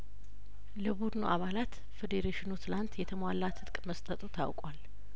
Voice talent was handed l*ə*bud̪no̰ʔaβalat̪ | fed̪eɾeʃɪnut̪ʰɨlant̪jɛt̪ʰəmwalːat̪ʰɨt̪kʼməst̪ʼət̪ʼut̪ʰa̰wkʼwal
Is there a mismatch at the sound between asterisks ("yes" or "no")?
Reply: no